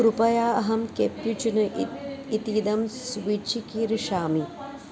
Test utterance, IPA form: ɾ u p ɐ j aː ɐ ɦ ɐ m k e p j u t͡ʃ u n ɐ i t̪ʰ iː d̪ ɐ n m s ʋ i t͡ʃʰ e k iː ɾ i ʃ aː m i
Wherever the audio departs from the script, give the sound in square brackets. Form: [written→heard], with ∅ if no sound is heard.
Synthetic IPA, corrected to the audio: ɾ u p ɐ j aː ɐ ɦ ɐ m k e p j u t͡ʃ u n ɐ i [t̪ʰ→t̪] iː d̪ ɐ [n→∅] m s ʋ i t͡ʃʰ [e→i] k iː ɾ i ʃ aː m i

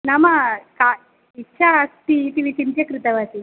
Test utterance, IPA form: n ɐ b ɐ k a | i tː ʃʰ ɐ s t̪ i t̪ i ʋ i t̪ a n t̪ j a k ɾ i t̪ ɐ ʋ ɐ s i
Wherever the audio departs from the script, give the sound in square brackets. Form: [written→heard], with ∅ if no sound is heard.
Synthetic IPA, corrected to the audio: n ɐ [b→m] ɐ k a | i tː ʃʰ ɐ s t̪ i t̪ i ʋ i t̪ [a→i] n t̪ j [a→ɐ] k ɾ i t̪ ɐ ʋ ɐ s i

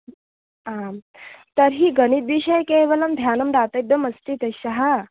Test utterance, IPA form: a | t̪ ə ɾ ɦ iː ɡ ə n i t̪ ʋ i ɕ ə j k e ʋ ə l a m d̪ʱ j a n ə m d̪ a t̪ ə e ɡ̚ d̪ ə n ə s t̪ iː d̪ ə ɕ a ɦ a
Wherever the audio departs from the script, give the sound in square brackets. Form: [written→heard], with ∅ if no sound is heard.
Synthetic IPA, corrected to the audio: a | t̪ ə ɾ ɦ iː ɡ ə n i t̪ ʋ i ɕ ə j k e ʋ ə l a m d̪ʱ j a n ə m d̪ a t̪ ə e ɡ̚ d̪ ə [n→m] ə s t̪ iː [d̪→t̪] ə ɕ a ɦ a

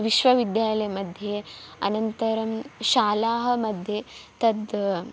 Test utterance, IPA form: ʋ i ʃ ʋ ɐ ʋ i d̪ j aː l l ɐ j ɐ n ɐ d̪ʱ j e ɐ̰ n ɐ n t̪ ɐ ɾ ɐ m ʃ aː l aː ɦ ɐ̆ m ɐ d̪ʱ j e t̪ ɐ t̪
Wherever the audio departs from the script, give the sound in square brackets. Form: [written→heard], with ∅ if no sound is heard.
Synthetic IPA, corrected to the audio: ʋ i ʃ ʋ ɐ ʋ i d̪ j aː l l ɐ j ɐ [n→m] ɐ d̪ʱ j e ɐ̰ n ɐ n t̪ ɐ ɾ ɐ m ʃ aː l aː ɦ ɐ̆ m ɐ d̪ʱ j e t̪ ɐ [t̪→d̪]

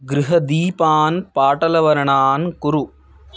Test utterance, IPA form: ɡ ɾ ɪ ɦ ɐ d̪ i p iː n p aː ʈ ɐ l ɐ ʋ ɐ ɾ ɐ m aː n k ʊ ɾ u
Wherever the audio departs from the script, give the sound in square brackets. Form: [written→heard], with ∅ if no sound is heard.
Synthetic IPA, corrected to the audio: ɡ ɾ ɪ ɦ ɐ d̪ [i→iː] p [iː→aː] n p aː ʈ ɐ l ɐ ʋ ɐ ɾ ɐ [m→ɳ] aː n k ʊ ɾ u

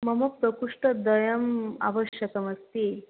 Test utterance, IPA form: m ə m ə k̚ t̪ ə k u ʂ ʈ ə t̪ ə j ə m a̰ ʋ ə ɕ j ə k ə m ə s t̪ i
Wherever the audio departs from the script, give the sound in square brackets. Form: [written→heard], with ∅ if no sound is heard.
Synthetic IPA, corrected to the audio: m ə m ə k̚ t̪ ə k u ʂ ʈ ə [t̪→d̪] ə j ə m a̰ ʋ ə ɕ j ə k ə m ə s t̪ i

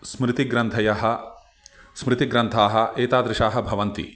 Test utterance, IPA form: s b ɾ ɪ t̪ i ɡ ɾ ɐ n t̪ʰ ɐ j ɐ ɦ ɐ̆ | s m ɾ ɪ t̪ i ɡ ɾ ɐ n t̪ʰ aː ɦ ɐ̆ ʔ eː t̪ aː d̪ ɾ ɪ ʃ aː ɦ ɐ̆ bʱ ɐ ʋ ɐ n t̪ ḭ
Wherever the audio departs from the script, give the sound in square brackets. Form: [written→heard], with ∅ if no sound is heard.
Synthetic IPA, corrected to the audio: s [b→m] ɾ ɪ t̪ i ɡ ɾ ɐ n t̪ʰ ɐ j ɐ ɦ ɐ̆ | s m ɾ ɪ t̪ i ɡ ɾ ɐ n t̪ʰ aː ɦ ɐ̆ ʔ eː t̪ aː d̪ ɾ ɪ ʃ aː ɦ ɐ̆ bʱ ɐ ʋ ɐ n t̪ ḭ

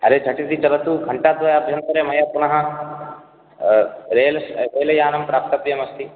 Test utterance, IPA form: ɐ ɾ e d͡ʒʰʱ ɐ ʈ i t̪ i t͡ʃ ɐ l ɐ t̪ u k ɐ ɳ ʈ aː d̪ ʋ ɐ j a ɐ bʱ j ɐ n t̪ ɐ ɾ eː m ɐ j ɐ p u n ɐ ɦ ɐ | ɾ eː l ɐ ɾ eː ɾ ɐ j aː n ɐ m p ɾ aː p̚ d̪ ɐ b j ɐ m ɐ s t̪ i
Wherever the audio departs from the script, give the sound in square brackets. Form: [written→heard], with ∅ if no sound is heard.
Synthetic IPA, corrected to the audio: ɐ ɾ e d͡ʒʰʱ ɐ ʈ i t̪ i t͡ʃ ɐ l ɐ t̪ u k ɐ ɳ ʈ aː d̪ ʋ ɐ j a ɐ bʱ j ɐ n t̪ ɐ ɾ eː m ɐ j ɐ p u n ɐ ɦ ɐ | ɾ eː l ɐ ɾ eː [ɾ→l] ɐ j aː n ɐ m p ɾ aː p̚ [d̪→t̪] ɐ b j ɐ m ɐ s t̪ i

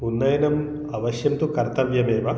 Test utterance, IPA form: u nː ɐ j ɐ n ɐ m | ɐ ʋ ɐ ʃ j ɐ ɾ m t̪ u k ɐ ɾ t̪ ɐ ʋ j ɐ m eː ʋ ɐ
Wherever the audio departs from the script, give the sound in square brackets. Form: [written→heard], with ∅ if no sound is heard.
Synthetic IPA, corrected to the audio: u nː ɐ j ɐ n ɐ m | ɐ ʋ ɐ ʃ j ɐ [ɾ→∅] m t̪ u k ɐ ɾ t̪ ɐ ʋ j ɐ m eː ʋ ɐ

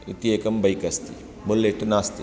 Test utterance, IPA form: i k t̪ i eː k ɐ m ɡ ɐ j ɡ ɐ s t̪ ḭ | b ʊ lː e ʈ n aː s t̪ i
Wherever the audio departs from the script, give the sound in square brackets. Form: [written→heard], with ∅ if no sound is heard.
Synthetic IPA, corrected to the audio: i [k→∅] t̪ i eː k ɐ m [ɡ→b] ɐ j [ɡ→k] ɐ s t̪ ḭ | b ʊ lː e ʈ n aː s t̪ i

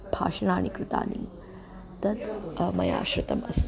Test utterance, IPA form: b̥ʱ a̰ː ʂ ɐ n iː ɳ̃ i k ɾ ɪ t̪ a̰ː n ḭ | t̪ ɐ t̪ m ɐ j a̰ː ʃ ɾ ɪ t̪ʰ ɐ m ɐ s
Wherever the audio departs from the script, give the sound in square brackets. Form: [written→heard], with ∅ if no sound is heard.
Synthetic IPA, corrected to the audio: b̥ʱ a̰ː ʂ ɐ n [iː→aː] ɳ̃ i k ɾ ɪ t̪ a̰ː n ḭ | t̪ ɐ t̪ m ɐ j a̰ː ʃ ɾ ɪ [t̪ʰ→t̪] ɐ m ɐ s

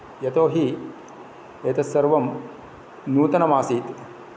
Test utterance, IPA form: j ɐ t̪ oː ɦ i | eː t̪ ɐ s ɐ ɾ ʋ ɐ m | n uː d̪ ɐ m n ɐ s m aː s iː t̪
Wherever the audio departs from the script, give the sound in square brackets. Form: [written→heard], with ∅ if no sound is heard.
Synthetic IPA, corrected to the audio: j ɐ t̪ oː ɦ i | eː t̪ ɐ s ɐ ɾ ʋ ɐ m | n uː [d̪→t̪] ɐ [m→∅] n ɐ [s→∅] m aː s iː t̪

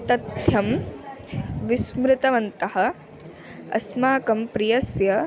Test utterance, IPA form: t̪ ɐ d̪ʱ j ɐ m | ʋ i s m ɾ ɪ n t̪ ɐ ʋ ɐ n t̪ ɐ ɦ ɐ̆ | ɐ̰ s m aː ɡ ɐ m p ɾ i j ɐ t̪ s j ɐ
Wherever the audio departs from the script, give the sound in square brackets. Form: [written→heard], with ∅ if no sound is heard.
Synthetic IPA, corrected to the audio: t̪ ɐ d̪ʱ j ɐ m | ʋ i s m ɾ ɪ [n→∅] t̪ ɐ ʋ ɐ n t̪ ɐ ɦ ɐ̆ | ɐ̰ s m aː [ɡ→k] ɐ m p ɾ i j ɐ [t̪→∅] s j ɐ

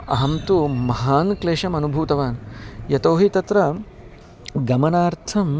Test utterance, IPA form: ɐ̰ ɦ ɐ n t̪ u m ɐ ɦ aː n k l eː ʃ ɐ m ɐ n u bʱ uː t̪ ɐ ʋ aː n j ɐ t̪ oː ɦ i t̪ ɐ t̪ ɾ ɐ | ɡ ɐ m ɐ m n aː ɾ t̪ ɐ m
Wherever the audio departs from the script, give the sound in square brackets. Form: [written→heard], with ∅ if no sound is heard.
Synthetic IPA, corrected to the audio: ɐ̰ ɦ ɐ [n→m] t̪ u m ɐ ɦ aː n k l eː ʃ ɐ m ɐ n u bʱ uː t̪ ɐ ʋ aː n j ɐ t̪ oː ɦ i t̪ ɐ t̪ ɾ ɐ | ɡ ɐ m ɐ [m→∅] n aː ɾ [t̪→t̪ʰ] ɐ m

